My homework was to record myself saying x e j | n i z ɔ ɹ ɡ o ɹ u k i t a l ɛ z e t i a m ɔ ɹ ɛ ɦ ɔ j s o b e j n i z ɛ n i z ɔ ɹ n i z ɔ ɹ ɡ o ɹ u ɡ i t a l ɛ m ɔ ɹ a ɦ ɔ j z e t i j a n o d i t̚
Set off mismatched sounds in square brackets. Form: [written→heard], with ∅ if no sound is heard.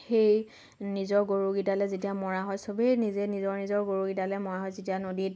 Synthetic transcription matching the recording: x e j | n i z ɔ ɹ ɡ o ɹ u [k→ɡ] i t a l ɛ z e t i a m ɔ ɹ [ɛ→a] ɦ ɔ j s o b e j n i z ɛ n i z ɔ ɹ n i z ɔ ɹ ɡ o ɹ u ɡ i t a l ɛ m ɔ ɹ a ɦ ɔ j z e t i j a n o d i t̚